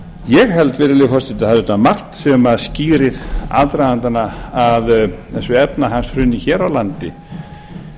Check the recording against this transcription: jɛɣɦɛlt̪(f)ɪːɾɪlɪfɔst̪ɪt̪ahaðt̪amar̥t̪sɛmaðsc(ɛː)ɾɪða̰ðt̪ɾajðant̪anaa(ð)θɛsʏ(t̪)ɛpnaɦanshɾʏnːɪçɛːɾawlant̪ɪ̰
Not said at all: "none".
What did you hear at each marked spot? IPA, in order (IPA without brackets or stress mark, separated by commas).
v, iː, ð, none